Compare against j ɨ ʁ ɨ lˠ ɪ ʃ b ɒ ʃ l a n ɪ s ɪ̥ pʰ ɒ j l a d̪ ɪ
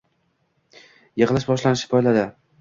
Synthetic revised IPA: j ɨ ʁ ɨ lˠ ɪ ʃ b ɒ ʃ l a n ɪ ʃ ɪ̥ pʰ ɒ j l a d̪ ɪ